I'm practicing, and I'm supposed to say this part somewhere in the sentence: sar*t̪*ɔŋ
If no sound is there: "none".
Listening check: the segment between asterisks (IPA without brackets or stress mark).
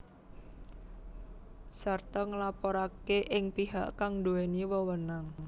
t̪